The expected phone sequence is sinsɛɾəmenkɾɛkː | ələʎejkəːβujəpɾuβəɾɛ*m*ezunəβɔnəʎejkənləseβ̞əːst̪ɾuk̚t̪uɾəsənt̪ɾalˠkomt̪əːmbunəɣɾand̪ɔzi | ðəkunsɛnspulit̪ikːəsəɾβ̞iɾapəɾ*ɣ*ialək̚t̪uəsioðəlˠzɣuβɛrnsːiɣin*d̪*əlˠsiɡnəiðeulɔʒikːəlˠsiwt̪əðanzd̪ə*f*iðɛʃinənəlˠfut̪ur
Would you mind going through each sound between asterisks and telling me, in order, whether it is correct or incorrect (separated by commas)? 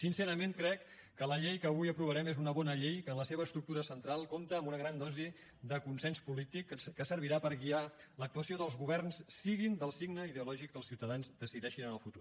correct, correct, correct, incorrect